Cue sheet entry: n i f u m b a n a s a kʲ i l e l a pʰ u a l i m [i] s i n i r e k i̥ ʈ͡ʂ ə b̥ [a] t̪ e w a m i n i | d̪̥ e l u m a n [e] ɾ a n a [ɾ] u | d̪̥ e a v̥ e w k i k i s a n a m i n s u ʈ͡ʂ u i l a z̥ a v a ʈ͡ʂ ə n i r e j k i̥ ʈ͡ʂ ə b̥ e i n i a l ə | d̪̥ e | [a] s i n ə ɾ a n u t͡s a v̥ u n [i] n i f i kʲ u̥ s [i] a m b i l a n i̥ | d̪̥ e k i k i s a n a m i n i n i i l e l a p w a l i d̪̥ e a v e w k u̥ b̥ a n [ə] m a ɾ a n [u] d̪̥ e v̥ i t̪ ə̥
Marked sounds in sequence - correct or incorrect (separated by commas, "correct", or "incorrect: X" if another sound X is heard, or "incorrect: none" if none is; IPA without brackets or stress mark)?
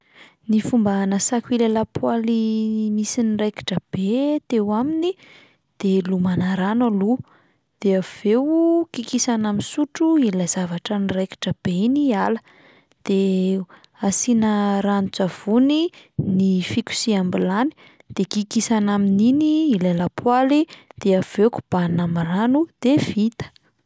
correct, incorrect: e, incorrect: a, incorrect: l, correct, correct, correct, incorrect: a, correct